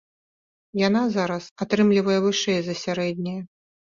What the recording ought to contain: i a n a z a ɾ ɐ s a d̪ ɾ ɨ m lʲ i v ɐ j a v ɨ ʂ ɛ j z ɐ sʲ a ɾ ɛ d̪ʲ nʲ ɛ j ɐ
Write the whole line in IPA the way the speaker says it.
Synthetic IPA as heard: j a n a z a ɾ ɐ s a t̪ ɾ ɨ m lʲ i v ɐ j ɛ v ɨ ʂ ɛ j z ɐ sʲ a ɾ ɛ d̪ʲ nʲ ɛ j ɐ